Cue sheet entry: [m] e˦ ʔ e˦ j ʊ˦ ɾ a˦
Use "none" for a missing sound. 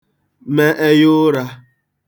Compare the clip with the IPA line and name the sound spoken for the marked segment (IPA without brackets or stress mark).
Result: m